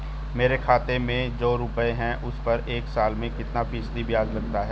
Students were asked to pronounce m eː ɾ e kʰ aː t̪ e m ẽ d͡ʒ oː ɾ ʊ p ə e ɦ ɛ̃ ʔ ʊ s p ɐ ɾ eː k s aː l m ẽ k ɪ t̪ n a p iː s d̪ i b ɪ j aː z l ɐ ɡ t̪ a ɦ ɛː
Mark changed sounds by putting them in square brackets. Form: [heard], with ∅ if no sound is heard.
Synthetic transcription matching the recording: m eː ɾ e kʰ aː t̪ e m ẽ d͡ʒ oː ɾ ʊ p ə e ɦ ɛ̃ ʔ ʊ s p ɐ ɾ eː k s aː l m ẽ k ɪ t̪ n a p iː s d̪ i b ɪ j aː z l ɐ ɡ t̪ a ɦ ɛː